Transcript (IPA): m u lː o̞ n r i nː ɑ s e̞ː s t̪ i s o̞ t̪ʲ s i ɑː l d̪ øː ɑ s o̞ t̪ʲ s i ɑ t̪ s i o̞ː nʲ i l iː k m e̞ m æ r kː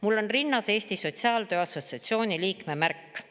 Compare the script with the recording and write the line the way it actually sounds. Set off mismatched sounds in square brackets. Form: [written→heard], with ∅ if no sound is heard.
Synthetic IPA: m u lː o̞ n r i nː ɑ s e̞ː s t̪ i s o̞ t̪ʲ s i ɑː l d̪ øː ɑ s o̞ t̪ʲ s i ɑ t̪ s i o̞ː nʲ i l iː k m e̞ m æ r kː